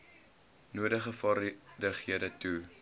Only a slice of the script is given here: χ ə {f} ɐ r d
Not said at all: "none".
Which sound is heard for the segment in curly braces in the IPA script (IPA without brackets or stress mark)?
f